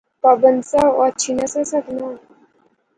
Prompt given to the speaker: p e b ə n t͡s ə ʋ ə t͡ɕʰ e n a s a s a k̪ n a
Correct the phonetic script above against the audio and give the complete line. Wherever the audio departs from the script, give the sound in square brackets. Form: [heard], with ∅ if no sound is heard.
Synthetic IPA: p [a] b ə n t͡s [a] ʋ [a] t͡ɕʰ [i] n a s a s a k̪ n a